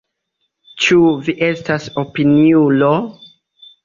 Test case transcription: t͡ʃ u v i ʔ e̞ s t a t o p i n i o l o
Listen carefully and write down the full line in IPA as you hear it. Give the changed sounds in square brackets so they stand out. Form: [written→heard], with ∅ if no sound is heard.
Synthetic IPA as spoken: t͡ʃ u v i ʔ e̞ s t a [t→s] o p i n i [o→u] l o